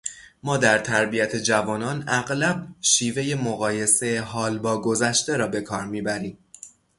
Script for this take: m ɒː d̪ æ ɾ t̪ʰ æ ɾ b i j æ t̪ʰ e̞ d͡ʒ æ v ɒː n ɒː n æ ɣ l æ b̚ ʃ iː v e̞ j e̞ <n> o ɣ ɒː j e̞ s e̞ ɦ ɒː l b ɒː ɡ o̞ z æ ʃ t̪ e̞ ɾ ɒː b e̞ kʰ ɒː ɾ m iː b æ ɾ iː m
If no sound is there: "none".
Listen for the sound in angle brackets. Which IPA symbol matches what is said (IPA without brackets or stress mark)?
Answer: m